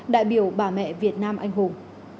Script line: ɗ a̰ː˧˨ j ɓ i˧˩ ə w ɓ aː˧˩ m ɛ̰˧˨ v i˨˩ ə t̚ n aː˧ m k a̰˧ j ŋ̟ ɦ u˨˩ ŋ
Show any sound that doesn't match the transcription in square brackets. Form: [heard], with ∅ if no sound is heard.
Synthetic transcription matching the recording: ɗ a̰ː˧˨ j ɓ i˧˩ ə w ɓ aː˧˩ m ɛ̰˧˨ v i˨˩ ə t̚ n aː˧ m [ʔ] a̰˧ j ŋ̟ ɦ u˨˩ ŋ